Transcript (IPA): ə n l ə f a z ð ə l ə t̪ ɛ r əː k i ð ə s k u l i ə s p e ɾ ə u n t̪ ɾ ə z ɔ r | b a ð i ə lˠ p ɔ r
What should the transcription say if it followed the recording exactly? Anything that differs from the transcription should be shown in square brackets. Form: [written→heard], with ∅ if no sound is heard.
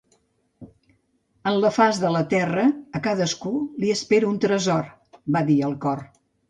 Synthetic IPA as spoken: ə n l ə f a z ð ə l ə t̪ ɛ r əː k [i→a] ð ə s k u l i ə s p e ɾ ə u n t̪ ɾ ə z ɔ r | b a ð i ə lˠ [p→k] ɔ r